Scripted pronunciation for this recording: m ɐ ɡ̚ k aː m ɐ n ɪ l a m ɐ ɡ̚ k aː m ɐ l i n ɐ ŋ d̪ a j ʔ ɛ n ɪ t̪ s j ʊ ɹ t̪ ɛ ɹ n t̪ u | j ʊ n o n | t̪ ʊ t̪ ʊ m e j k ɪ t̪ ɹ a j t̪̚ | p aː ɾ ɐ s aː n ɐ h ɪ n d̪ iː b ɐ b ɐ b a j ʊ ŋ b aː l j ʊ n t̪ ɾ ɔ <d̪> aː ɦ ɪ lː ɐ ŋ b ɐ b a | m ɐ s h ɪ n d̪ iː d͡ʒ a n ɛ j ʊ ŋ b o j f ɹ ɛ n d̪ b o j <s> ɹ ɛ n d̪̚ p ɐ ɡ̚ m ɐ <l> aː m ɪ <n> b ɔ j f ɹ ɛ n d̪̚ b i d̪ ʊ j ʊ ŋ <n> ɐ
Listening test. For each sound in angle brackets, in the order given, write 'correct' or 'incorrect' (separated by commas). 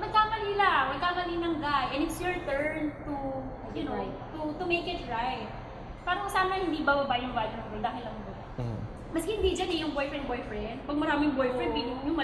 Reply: correct, incorrect, incorrect, incorrect, incorrect